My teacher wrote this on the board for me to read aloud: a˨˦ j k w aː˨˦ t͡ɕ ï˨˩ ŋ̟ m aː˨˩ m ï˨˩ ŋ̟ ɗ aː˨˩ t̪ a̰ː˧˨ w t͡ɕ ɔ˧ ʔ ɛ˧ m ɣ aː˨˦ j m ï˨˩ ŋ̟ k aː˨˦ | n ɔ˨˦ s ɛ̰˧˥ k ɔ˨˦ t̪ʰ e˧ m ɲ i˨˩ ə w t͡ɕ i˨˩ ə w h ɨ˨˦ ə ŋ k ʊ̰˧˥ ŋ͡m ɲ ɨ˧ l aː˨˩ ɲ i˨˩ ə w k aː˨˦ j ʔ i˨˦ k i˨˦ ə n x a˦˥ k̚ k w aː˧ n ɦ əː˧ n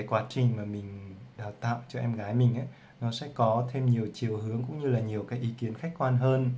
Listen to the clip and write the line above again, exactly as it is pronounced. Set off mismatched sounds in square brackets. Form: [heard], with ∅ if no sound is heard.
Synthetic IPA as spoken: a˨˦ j k w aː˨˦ t͡ɕ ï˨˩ ŋ̟ m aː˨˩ m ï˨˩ ŋ̟ ɗ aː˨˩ t̪ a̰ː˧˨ w t͡ɕ ɔ˧ ʔ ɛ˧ m ɣ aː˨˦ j m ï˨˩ ŋ̟ [ʔ] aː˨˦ | n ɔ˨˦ s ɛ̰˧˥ k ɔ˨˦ t̪ʰ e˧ m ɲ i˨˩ ə w t͡ɕ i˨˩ ə w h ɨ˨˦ ə ŋ k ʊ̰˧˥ ŋ͡m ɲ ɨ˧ l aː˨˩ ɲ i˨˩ ə w k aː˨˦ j ʔ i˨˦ k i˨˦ ə n x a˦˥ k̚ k w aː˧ n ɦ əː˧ n

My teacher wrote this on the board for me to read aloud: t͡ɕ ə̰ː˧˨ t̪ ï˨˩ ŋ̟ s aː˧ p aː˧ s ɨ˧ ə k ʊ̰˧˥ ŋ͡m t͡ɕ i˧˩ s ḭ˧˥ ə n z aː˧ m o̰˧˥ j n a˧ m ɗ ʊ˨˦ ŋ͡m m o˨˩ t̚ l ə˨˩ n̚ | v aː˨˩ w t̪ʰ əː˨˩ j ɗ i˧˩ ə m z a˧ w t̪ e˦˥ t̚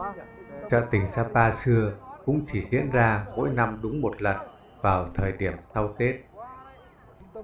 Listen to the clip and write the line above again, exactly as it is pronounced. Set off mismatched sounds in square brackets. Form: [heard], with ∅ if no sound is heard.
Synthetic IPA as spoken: t͡ɕ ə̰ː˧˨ t̪ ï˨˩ ŋ̟ s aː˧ p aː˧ s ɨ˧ ə k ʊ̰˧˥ ŋ͡m t͡ɕ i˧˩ [z] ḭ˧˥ ə n z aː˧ m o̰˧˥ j n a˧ m ɗ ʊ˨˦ ŋ͡m m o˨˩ t̚ l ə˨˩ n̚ | v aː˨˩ w t̪ʰ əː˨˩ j ɗ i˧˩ ə m [s] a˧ w t̪ e˦˥ t̚

